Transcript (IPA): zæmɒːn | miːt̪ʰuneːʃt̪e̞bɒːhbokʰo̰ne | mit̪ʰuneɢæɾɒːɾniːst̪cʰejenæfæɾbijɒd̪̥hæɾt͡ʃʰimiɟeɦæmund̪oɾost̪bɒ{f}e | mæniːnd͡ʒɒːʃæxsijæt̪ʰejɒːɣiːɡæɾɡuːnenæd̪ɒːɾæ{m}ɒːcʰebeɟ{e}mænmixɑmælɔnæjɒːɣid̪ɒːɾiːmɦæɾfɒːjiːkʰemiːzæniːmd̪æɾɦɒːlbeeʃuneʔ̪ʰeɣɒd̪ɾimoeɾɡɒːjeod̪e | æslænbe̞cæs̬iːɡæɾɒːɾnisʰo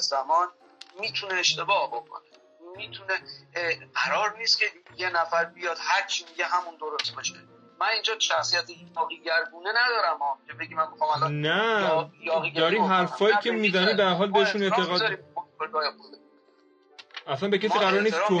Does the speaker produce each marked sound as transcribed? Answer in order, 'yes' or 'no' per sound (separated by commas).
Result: no, yes, no